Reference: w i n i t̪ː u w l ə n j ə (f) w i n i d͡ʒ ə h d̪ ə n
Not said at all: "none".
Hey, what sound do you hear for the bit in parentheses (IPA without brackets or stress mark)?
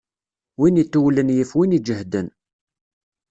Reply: f